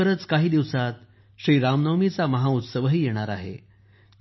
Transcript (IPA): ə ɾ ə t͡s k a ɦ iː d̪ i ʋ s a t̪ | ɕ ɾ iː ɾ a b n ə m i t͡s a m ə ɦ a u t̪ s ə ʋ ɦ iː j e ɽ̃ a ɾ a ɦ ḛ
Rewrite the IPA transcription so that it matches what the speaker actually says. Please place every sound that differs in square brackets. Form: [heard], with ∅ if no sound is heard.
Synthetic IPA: ə ɾ ə t͡s k a ɦ iː d̪ i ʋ s a t̪ | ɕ ɾ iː ɾ a [m] n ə m i t͡s a m ə ɦ a u t̪ s ə ʋ ɦ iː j e ɽ̃ a ɾ a ɦ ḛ